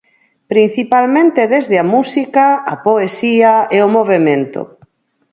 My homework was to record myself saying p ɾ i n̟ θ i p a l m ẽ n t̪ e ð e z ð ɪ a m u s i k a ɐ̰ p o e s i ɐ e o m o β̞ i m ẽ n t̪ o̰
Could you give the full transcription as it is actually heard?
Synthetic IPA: p ɾ i n̟ θ i p a l m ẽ n t̪ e ð e z ð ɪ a m u s i k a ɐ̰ p o e s i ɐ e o m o β̞ e m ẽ n t̪ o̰